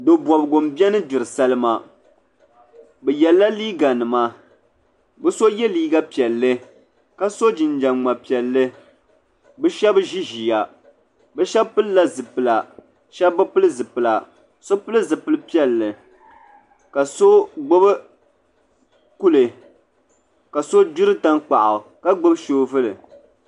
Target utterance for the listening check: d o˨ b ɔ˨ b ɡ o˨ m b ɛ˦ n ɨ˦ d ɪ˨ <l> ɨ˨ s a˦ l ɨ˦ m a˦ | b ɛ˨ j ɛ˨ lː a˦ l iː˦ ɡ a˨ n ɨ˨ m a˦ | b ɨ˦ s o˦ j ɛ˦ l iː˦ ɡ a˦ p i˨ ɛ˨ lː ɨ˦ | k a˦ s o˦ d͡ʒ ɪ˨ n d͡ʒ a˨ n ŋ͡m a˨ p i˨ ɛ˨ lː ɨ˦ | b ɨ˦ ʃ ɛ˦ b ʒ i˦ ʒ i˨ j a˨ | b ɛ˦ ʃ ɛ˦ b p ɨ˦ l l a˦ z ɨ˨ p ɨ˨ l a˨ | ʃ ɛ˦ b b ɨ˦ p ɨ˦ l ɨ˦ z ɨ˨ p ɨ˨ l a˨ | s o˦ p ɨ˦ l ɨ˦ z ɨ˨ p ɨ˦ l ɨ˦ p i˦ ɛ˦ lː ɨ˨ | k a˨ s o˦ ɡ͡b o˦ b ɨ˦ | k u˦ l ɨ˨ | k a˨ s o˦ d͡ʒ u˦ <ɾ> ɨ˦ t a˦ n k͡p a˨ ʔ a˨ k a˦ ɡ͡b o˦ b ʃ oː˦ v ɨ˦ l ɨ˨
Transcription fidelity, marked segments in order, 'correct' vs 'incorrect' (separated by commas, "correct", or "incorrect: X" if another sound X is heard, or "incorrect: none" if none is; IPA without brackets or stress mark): incorrect: ɾ, correct